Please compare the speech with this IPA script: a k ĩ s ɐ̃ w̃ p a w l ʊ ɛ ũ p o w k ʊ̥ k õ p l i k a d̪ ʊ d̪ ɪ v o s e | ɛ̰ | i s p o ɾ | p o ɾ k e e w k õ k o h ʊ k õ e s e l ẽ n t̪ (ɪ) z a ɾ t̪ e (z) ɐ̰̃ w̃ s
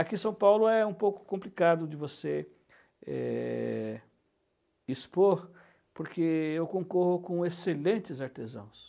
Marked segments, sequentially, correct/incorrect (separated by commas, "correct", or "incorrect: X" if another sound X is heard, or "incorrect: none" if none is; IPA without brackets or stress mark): correct, correct